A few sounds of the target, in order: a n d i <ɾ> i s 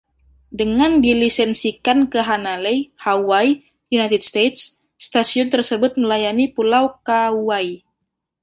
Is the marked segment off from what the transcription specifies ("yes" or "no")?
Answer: yes